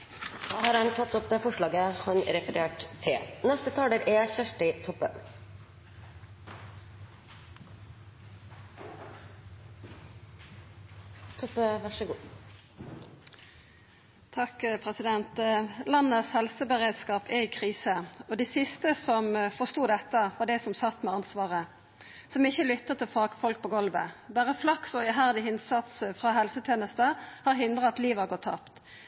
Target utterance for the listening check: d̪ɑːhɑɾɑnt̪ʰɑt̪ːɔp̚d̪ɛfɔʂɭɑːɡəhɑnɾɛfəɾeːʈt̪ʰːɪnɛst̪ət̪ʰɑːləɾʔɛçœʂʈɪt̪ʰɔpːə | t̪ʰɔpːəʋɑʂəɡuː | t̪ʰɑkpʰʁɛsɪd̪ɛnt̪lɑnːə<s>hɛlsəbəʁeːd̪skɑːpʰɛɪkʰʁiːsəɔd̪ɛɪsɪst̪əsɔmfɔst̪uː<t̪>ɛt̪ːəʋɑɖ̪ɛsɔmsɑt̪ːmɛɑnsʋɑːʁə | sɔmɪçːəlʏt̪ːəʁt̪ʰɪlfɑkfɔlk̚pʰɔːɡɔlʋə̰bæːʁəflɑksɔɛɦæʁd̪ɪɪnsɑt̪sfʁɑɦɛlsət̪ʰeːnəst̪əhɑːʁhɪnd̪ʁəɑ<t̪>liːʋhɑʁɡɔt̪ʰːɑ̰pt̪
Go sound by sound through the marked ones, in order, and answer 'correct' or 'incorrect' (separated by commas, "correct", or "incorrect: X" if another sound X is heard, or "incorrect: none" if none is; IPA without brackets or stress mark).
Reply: correct, incorrect: d̪, correct